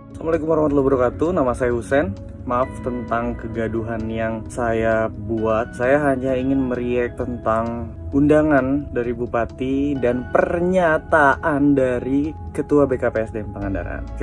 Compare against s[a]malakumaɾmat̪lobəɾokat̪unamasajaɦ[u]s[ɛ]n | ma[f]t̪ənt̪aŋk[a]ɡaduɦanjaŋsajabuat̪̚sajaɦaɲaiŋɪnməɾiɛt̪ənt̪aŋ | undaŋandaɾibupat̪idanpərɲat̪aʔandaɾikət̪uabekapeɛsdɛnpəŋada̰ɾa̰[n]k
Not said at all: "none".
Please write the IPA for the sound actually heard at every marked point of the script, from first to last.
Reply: a, u, ɛ, f, ə, n

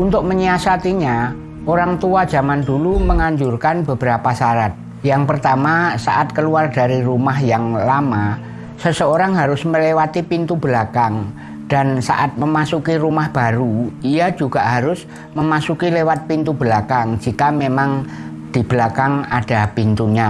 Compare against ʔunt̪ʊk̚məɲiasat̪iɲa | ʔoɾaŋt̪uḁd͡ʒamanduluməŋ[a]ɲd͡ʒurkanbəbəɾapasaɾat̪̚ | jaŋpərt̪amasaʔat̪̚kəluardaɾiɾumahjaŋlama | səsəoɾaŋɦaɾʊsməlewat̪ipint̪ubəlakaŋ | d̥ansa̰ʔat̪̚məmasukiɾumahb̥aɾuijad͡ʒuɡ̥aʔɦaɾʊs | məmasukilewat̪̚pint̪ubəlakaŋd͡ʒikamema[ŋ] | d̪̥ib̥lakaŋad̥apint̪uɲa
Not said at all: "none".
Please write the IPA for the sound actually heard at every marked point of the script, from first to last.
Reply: a, ŋ

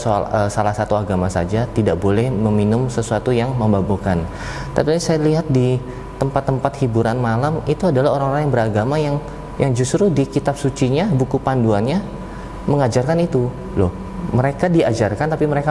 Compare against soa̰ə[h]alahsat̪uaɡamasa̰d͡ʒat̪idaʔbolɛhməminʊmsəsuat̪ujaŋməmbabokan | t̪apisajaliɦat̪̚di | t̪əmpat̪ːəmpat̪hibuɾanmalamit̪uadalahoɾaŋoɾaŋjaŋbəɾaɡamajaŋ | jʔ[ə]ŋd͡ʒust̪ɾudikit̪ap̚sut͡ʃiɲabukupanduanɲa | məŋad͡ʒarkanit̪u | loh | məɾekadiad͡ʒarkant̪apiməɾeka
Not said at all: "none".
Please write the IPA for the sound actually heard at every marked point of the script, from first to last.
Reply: s, a

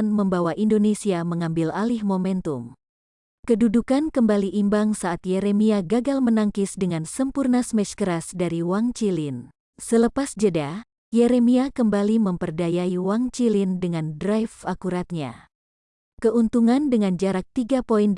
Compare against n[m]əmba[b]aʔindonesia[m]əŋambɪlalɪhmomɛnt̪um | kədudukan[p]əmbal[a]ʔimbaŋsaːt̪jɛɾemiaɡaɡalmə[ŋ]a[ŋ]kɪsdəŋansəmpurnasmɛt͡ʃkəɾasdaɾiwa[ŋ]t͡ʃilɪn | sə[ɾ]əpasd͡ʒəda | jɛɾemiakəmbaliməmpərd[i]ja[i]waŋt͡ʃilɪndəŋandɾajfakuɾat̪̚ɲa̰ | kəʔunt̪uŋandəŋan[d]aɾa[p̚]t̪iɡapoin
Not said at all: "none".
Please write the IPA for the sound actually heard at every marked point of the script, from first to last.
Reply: m, w, m, k, i, n, ŋ, ŋ, l, a, i, d͡ʒ, k̚

